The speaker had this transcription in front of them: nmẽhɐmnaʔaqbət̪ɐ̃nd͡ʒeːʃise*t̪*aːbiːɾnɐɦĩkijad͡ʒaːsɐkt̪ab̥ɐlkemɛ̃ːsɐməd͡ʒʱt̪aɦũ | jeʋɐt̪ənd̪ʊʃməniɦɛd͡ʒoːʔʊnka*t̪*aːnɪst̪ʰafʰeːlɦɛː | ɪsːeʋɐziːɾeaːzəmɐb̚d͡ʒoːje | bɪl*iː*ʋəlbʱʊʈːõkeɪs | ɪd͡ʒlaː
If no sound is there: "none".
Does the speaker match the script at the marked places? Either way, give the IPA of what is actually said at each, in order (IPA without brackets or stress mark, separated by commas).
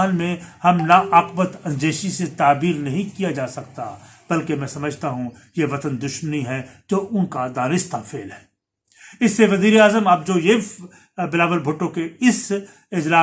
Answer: t̪, d̪, aː